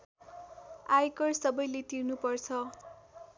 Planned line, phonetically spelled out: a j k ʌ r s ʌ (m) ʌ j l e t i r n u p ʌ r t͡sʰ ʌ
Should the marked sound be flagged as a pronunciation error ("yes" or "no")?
yes